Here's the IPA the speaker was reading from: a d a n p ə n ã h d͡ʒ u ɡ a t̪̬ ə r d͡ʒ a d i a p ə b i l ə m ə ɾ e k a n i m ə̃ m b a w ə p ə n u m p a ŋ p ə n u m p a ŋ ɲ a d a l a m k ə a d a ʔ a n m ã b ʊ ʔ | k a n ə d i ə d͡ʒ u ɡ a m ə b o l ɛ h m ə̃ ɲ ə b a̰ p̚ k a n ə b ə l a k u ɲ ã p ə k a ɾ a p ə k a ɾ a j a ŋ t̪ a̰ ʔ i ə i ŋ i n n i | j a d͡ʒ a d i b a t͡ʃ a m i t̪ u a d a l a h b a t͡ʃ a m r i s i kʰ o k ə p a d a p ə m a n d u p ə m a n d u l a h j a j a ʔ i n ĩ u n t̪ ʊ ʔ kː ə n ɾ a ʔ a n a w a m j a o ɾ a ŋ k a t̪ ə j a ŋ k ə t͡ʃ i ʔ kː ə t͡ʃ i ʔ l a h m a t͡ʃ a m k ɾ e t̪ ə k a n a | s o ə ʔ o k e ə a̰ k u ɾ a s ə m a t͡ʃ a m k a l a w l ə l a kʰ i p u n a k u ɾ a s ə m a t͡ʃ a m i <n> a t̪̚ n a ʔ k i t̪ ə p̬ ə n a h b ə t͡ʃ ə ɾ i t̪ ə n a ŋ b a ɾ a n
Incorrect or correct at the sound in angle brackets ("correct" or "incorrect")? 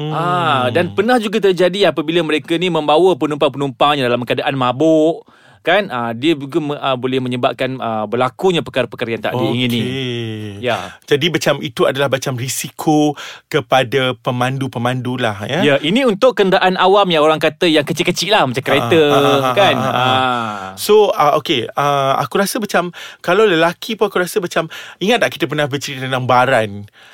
incorrect